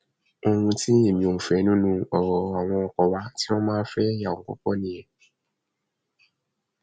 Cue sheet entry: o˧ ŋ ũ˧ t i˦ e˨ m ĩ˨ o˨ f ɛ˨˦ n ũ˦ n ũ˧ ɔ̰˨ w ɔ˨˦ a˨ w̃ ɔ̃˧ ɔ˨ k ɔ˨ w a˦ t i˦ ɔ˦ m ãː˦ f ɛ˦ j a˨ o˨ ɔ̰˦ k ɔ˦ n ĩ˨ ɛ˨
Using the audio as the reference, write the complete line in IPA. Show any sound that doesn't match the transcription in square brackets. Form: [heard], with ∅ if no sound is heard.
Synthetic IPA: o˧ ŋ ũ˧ t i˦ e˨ m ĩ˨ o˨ f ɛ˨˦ n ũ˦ n ũ˧ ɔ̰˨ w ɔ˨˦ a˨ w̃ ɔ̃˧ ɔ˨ k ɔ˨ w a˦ t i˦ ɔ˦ m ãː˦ f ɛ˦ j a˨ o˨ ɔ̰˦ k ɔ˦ n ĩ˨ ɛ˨